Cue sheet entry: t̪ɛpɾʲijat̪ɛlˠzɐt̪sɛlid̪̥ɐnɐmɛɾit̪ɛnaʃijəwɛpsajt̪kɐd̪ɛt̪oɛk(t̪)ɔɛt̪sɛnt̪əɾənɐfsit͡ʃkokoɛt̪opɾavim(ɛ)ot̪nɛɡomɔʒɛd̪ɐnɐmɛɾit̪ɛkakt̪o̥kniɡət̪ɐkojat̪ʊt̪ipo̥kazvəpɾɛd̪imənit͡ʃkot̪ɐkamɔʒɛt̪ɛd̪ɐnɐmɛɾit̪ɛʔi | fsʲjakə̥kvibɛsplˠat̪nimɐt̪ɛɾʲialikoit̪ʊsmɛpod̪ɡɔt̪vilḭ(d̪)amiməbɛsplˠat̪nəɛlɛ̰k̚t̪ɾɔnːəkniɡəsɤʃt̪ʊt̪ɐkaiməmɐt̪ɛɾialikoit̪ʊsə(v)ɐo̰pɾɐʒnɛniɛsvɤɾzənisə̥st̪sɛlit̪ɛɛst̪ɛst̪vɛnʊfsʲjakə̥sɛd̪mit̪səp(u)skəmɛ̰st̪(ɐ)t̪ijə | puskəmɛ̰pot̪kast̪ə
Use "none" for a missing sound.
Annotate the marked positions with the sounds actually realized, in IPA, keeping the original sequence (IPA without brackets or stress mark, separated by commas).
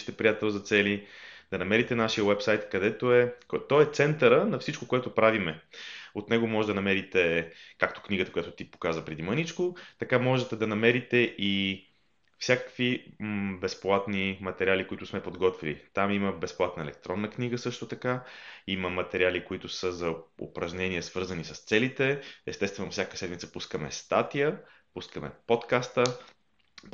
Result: t̪, ɛ, t̪, z, u, a